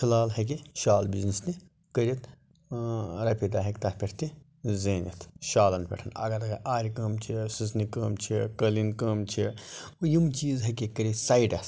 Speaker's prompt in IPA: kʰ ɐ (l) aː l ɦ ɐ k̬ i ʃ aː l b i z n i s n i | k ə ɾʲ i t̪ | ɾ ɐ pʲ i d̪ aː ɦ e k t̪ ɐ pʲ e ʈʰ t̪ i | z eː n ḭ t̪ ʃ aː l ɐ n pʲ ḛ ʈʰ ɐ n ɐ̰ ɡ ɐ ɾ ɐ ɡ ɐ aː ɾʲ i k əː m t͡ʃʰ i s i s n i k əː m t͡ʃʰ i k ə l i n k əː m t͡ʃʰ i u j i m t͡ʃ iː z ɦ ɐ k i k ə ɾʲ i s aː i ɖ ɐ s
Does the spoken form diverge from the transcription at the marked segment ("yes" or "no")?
no